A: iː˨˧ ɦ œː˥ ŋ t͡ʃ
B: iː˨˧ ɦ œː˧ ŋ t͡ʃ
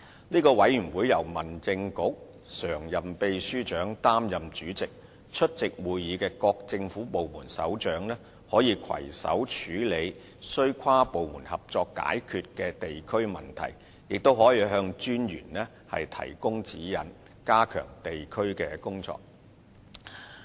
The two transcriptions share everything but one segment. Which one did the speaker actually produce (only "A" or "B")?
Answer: B